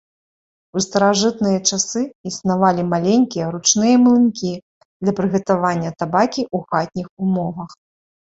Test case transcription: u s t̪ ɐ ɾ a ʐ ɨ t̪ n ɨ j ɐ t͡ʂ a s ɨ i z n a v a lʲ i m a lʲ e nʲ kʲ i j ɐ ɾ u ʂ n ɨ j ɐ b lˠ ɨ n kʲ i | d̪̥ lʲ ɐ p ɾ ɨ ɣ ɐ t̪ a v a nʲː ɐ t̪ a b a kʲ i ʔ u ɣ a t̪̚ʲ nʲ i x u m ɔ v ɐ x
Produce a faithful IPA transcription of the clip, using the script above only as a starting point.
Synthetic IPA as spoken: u s t̪ ɐ ɾ a ʐ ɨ t̪ n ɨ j ɐ t͡ʂ a s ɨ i s n a v a lʲ i m a lʲ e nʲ kʲ i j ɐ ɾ u t͡ʂ n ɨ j ɐ m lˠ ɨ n kʲ i | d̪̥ lʲ ɐ p ɾ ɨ ɣ ɐ t̪ a v a nʲː ɐ t̪ a b a kʲ i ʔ u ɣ a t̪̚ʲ nʲ i x u m ɔ v ɐ x